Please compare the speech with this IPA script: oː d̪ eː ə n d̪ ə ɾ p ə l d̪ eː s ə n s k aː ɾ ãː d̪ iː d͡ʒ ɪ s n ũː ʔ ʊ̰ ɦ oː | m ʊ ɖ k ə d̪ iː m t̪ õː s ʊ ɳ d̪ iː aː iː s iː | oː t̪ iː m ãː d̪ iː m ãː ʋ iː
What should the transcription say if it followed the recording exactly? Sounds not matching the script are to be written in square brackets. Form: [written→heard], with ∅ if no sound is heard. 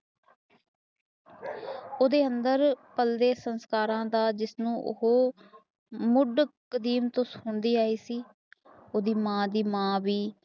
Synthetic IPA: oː d̪ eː ə n d̪ ə ɾ p ə l d̪ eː s ə n s k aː ɾ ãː d̪ [iː→aː] d͡ʒ ɪ s n ũː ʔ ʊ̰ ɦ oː | m ʊ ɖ k ə d̪ iː m t̪ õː s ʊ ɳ d̪ iː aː iː s iː | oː [t̪→d̪] iː m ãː d̪ iː m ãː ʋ iː